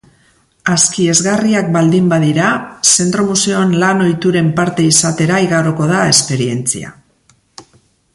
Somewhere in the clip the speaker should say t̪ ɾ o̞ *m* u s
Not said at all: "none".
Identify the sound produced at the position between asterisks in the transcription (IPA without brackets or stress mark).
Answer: m